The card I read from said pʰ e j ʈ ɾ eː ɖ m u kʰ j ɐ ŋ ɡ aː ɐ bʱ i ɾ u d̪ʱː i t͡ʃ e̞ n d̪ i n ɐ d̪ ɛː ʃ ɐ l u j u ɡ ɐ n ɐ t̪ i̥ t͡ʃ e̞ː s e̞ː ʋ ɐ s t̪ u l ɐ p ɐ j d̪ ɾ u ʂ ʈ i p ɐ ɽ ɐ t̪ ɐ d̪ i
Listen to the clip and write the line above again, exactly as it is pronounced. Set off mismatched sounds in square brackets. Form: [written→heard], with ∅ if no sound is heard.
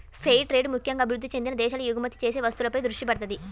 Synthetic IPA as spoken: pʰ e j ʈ ɾ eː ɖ m u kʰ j ɐ ŋ ɡ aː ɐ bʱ i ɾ u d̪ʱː i t͡ʃ e̞ n d̪ i n ɐ d̪ ɛː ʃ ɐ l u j u ɡ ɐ [n→m] ɐ t̪ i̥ t͡ʃ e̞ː s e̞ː ʋ ɐ s t̪ u l ɐ p ɐ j d̪ ɾ u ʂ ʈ i p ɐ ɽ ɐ t̪ ɐ d̪ i